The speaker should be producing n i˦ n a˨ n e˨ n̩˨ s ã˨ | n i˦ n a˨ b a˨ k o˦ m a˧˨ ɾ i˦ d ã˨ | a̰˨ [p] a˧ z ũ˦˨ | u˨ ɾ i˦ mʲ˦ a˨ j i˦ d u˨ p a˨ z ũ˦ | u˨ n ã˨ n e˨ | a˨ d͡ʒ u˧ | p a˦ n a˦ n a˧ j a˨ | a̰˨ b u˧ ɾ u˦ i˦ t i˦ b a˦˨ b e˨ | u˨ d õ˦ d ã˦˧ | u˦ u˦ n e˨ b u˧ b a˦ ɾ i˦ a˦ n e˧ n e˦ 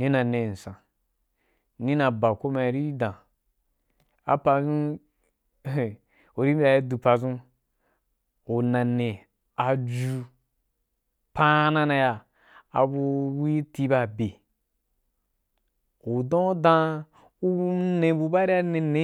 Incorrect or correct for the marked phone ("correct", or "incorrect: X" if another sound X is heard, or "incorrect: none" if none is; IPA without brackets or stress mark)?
correct